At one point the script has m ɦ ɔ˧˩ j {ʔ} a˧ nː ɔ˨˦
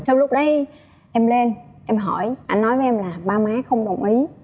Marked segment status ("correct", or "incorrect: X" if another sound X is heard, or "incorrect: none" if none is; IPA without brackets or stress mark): correct